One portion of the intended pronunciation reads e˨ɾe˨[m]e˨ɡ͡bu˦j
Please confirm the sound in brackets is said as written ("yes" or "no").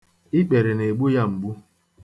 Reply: no